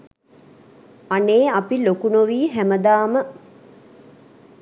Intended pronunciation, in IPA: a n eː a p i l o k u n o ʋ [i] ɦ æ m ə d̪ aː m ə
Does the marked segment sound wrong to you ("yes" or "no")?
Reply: yes